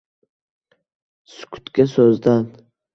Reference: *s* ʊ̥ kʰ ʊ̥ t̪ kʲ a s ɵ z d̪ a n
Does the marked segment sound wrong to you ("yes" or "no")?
no